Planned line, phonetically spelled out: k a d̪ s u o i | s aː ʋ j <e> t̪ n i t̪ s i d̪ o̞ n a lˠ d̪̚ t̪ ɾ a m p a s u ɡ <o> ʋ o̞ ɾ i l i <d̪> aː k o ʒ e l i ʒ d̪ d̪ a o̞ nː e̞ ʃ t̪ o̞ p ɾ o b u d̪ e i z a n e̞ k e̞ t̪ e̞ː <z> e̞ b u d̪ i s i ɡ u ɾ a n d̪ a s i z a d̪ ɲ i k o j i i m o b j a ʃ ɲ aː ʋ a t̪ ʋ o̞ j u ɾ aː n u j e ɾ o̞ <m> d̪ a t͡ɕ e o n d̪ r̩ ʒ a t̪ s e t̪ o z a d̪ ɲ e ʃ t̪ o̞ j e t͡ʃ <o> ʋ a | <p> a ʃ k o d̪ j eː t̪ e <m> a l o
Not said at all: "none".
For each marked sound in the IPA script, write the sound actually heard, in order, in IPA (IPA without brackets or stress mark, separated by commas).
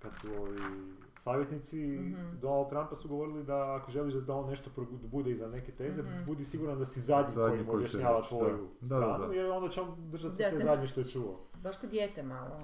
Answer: e, o, d̪, z, n, u, b, m